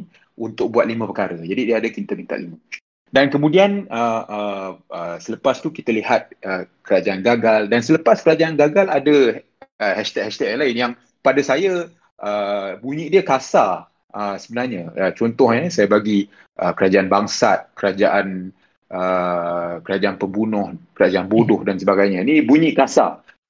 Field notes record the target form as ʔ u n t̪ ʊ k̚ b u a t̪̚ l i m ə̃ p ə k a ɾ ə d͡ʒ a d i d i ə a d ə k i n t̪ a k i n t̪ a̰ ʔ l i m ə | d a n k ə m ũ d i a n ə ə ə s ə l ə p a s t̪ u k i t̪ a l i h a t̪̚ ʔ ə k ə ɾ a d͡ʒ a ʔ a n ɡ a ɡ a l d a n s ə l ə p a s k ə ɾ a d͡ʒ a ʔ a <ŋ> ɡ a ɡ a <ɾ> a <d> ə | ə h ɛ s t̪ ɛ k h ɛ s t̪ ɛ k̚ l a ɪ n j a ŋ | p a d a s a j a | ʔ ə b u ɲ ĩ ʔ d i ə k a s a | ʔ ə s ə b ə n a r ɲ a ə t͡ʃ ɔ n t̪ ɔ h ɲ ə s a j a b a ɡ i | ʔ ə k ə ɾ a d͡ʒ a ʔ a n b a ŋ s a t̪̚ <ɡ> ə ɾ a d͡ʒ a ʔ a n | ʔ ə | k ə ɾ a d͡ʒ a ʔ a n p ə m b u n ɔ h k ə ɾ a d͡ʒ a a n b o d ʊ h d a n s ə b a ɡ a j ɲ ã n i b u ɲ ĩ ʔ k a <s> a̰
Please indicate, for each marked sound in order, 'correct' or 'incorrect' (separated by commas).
incorrect, incorrect, correct, incorrect, correct